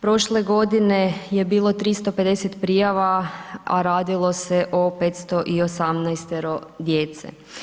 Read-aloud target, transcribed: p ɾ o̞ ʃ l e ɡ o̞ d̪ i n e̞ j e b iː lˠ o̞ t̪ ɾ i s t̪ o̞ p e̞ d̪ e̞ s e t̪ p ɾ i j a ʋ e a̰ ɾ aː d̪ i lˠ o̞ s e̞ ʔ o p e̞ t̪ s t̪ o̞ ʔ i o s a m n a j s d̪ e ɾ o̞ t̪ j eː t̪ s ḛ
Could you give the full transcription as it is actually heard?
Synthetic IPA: p ɾ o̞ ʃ l e ɡ o̞ d̪ i n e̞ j e b iː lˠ o̞ t̪ ɾ i s t̪ o̞ p e̞ d̪ e̞ s e t̪ p ɾ i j a ʋ a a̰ ɾ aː d̪ i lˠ o̞ s e̞ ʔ o p e̞ t̪ s t̪ o̞ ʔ i o s a m n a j s t̪ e ɾ o̞ d̪ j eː t̪ s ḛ